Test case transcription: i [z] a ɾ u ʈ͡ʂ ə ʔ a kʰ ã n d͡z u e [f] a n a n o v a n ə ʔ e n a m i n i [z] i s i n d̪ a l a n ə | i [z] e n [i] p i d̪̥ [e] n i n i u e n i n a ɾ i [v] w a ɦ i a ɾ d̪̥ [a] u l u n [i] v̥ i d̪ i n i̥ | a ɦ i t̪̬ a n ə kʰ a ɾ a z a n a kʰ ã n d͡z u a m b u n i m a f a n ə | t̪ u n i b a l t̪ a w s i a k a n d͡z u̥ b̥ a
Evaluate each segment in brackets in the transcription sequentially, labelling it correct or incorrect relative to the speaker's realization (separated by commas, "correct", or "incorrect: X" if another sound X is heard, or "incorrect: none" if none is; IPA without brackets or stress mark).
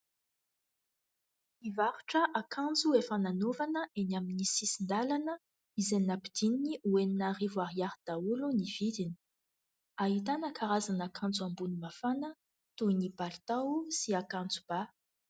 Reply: incorrect: v, correct, incorrect: s, correct, incorrect: a, incorrect: i, correct, correct, correct